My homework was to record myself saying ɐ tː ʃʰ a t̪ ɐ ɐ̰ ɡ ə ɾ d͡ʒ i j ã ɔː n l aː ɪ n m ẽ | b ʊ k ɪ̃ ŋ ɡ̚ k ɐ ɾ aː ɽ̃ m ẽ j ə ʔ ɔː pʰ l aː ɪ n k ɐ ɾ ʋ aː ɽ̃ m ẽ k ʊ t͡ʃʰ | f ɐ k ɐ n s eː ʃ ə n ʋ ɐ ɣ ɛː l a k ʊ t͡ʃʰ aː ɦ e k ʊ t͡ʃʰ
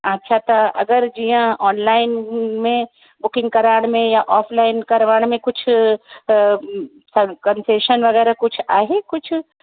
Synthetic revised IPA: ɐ tː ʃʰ a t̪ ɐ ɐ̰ ɡ ə ɾ d͡ʒ i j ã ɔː n l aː ɪ n m ẽ | b ʊ k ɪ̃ ŋ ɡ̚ k ɐ ɾ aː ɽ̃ m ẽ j a ʔ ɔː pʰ l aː ɪ n k ɐ ɾ ʋ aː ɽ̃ m ẽ k ʊ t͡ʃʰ | s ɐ k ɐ n s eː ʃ ə n ʋ ɐ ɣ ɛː ɾ a k ʊ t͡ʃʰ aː ɦ e k ʊ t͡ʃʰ